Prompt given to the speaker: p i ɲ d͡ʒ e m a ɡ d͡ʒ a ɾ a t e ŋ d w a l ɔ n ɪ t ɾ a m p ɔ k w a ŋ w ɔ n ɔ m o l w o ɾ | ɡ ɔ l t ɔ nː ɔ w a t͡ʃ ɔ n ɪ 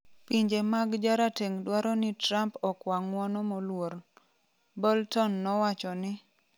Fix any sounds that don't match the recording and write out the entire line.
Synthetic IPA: p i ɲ d͡ʒ e m a ɡ d͡ʒ a ɾ a t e ŋ d w a ɾ ɔ n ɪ t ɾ a m p ɔ k w a ŋ w ɔ n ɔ m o l w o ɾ | b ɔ l t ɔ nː ɔ w a t͡ʃ ɔ n ɪ